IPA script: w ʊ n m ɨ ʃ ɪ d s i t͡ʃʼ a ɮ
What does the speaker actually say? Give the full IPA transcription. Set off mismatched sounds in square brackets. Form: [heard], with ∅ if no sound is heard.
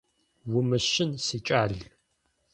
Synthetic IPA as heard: w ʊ [∅] m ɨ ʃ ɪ [n] s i t͡ʃʼ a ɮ

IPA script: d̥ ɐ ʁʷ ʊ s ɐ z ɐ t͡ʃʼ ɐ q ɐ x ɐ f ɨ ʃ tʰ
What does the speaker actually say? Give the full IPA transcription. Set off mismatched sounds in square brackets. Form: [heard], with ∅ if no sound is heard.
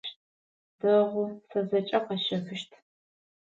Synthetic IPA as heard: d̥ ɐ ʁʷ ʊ s ɐ z ɐ t͡ʃʼ ɐ q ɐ [ʃ] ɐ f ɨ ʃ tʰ

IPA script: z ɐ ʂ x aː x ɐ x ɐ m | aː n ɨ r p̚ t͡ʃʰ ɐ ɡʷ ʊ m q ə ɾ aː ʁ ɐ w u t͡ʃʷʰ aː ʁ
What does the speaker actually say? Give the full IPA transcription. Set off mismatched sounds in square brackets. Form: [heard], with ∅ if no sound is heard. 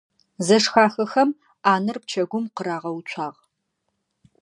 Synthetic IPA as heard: z ɐ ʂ x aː x ɐ x ɐ m | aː n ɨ r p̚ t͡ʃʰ ɐ ɡʷ ʊ m q ə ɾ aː ʁ ɐ w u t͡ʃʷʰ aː ʁ

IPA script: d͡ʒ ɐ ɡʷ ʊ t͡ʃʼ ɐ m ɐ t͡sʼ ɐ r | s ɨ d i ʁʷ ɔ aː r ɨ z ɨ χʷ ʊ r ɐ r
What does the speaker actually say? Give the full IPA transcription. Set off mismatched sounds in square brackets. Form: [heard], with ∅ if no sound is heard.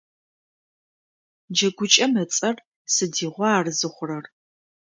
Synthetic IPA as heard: d͡ʒ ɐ ɡʷ ʊ t͡ʃʼ ɐ m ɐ t͡sʼ ɐ r | s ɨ d [iː] ʁʷ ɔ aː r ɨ z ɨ χʷ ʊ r ɐ r

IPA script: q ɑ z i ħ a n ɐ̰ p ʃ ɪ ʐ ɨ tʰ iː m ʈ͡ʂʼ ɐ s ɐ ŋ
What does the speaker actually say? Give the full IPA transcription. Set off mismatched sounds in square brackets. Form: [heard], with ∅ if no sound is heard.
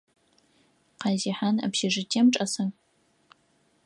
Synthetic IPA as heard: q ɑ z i ħ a n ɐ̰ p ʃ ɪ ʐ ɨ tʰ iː m ʈ͡ʂʼ ɐ s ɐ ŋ

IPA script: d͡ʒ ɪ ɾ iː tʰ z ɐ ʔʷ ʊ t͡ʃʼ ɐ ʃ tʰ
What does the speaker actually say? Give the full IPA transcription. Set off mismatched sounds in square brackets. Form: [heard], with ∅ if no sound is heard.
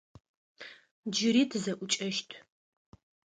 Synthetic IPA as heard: d͡ʒ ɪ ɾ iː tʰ z ɐ ʔʷ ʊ t͡ʃʼ ɐ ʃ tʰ

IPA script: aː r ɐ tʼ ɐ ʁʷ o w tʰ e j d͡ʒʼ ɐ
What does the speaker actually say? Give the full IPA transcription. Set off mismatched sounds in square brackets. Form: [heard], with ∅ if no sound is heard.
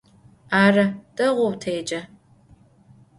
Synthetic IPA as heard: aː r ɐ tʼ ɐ ʁʷ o w tʰ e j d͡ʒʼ ɐ

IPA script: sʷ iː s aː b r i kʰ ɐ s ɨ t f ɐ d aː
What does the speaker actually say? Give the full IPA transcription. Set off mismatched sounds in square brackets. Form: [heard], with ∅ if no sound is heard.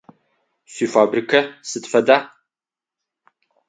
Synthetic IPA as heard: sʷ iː [f] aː b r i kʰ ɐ s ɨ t f ɐ d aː

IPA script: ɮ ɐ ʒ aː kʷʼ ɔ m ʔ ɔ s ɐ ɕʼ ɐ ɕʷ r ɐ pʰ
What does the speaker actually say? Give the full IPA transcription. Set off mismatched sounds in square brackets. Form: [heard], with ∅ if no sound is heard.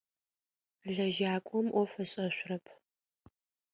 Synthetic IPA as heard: ɮ ɐ ʒ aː kʷʼ ɔ m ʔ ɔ [f] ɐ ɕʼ ɐ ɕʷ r ɐ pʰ

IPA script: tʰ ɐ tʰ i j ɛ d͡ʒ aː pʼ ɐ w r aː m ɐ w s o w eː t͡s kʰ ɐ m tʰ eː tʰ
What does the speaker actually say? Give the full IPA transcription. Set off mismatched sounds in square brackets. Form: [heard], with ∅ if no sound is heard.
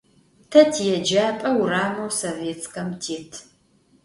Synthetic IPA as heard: tʰ ɐ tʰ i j ɛ d͡ʒ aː pʼ ɐ w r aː m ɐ w s o [v] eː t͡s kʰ ɐ m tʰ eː tʰ

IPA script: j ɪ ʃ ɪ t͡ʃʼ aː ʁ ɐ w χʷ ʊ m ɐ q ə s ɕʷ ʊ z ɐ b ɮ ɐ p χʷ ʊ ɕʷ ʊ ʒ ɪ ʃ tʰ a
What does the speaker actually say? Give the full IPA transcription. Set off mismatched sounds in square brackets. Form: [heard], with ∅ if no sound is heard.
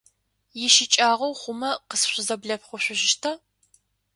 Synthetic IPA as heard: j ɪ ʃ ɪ t͡ʃʼ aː ʁ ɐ w χʷ ʊ m ɐ q ə s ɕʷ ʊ z ɐ b ɮ ɐ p χʷ ʊ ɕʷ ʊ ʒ ɪ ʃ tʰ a

